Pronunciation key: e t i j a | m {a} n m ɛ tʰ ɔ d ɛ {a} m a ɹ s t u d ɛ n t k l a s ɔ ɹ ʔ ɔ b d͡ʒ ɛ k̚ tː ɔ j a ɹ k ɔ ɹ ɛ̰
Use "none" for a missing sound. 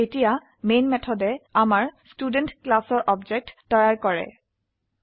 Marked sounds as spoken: e, a

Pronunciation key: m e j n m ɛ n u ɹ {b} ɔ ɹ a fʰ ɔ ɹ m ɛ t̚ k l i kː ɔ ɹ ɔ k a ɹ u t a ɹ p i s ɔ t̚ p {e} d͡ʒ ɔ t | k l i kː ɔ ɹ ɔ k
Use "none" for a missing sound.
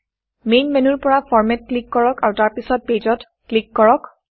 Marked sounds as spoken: p, e

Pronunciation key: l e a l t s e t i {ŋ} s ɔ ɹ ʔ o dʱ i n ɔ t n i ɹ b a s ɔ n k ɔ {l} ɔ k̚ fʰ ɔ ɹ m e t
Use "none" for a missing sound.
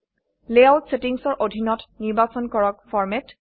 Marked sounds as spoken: ŋ, ɹ

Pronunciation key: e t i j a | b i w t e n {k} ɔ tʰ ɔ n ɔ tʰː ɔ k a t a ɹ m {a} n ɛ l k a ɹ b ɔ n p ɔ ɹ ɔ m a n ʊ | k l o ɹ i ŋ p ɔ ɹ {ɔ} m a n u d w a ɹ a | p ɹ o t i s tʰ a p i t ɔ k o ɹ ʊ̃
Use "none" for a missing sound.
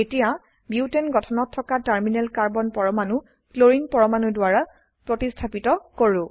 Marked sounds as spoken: ɡ, i, ɔ

